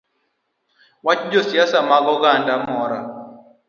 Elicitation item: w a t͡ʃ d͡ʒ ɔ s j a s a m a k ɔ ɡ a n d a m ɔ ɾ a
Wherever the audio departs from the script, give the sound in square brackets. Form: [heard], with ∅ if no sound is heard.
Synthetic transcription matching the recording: w a t͡ʃ d͡ʒ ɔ s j a s a m a [ɡ] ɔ ɡ a n d a m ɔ ɾ a